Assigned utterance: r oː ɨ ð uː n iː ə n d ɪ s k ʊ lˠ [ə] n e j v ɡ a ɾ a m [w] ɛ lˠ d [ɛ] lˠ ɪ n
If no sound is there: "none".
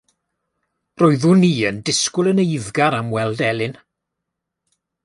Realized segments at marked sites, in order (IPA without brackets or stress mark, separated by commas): ə, w, ɛ